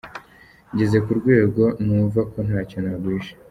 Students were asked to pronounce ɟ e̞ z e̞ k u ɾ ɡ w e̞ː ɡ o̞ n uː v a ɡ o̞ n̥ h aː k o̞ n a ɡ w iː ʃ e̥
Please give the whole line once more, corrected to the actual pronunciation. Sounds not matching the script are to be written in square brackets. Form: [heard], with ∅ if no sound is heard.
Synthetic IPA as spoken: ɟ e̞ z e̞ k u ɾ ɡ w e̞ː ɡ o̞ n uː v a [k] o̞ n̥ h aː [c] o̞ n a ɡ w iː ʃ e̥